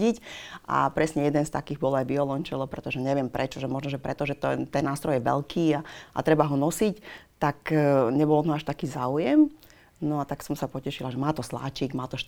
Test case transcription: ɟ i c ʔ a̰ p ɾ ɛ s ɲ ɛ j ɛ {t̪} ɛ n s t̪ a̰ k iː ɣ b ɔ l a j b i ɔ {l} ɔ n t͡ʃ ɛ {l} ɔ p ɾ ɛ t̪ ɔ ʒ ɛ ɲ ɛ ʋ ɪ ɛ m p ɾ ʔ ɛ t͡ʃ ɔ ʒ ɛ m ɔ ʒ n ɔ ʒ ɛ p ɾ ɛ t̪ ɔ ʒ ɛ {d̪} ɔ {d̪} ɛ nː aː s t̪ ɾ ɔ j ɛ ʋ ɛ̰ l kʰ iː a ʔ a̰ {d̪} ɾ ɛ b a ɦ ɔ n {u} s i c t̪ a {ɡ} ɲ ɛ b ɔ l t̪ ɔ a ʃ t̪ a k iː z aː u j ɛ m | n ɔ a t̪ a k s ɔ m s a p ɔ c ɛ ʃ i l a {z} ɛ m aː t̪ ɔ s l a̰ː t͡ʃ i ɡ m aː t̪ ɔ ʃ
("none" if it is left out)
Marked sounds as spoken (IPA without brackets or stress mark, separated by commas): d̪, l, l, t̪, t̪, t̪, ɔ, k, ʒ